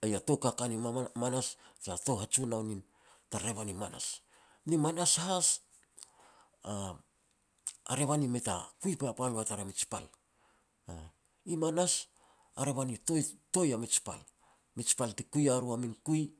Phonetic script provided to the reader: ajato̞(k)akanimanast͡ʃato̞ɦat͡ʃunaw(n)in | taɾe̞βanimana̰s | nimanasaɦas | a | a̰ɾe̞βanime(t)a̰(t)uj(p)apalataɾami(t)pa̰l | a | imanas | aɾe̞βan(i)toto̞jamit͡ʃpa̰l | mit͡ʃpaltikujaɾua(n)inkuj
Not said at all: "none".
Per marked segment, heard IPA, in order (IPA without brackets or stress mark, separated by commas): k, n, t, k, p, t͡ʃ, i, m